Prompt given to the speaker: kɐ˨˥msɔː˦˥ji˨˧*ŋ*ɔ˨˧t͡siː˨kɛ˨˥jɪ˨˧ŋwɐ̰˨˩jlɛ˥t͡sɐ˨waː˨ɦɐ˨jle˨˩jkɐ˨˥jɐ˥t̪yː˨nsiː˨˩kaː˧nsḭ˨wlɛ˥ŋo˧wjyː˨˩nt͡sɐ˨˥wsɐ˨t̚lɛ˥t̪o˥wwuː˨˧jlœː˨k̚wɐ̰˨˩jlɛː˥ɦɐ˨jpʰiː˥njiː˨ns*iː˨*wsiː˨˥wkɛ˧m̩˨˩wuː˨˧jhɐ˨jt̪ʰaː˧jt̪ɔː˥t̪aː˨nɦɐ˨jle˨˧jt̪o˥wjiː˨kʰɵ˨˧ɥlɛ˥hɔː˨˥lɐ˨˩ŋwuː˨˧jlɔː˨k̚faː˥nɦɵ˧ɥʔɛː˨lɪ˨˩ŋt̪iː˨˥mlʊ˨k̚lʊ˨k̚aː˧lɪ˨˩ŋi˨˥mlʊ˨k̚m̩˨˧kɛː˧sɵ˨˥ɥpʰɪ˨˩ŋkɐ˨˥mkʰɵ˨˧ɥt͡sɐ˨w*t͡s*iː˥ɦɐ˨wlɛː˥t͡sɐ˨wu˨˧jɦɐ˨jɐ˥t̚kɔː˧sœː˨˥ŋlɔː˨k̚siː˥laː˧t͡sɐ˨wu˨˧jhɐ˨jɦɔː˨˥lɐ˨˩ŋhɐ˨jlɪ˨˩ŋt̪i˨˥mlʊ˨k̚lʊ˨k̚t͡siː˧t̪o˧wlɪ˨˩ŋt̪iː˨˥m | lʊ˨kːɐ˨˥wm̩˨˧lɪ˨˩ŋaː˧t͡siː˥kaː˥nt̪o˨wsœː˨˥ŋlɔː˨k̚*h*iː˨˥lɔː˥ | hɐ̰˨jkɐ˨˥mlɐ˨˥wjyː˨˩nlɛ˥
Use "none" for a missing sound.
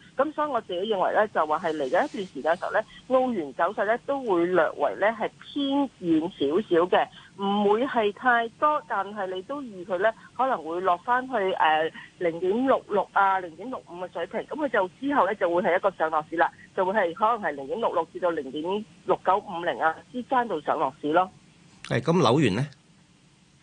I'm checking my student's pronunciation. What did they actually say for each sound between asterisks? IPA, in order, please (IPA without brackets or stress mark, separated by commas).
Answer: ŋ, iː˨˥, t͡s, s